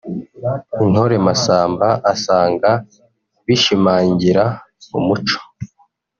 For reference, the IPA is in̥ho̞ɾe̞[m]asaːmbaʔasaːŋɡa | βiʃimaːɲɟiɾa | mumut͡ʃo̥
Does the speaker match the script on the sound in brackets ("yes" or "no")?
yes